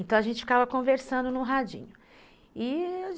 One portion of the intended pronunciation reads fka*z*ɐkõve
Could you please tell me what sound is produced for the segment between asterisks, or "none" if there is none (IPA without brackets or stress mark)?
v